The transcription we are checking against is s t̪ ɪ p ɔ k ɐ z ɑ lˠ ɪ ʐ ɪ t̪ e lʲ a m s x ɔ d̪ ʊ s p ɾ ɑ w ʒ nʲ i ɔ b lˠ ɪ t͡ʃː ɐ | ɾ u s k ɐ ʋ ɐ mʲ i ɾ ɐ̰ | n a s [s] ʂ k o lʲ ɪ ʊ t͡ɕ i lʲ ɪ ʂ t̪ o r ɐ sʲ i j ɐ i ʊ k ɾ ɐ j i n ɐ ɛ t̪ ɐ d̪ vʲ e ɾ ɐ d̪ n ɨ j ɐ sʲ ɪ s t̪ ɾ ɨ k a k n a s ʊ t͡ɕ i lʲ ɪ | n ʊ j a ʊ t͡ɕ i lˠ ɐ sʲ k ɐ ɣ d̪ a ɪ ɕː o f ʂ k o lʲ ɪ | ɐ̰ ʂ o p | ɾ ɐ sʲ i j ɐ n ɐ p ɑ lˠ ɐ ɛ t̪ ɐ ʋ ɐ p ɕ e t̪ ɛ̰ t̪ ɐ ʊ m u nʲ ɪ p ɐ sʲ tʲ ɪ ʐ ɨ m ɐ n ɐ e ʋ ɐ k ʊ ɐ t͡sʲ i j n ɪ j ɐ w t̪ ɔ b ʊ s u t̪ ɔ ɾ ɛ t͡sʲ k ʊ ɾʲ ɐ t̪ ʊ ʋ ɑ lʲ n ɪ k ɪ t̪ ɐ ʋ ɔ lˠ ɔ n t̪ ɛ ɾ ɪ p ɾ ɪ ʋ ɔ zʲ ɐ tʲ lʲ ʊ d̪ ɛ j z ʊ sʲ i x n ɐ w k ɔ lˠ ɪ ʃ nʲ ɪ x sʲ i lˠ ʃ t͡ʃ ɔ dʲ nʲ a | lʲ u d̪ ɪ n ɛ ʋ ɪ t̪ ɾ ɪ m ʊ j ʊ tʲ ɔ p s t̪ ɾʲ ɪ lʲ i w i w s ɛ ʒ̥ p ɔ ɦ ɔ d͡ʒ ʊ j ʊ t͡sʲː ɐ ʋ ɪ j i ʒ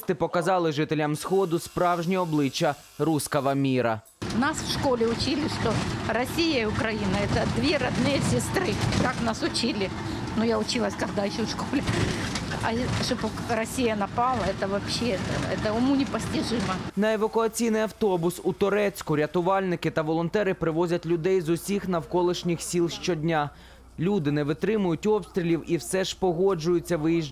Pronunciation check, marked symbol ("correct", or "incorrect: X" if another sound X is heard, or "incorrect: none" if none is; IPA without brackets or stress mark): incorrect: f